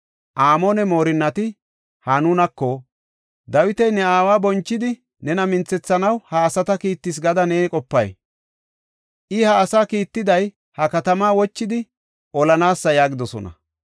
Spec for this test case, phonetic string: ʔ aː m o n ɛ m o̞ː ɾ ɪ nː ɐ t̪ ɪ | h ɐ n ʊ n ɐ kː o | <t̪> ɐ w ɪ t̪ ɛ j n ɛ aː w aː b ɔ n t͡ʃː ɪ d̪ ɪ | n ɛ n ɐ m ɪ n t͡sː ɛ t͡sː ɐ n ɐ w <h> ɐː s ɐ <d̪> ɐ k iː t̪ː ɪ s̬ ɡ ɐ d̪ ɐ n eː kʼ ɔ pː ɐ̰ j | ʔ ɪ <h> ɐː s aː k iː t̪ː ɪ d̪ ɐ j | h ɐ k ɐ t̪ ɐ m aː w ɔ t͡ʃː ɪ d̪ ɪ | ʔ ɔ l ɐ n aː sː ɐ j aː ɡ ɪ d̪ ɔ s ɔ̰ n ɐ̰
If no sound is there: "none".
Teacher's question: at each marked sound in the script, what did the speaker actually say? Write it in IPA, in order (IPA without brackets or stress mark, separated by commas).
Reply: d̪, h, t̪, h